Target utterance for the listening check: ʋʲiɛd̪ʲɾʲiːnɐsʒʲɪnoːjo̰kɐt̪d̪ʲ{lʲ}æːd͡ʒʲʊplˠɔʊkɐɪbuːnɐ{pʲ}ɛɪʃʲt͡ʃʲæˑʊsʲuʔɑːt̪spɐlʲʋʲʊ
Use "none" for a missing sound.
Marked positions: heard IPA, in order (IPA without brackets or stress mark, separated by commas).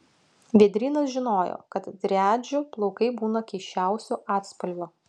ɾʲ, kʲ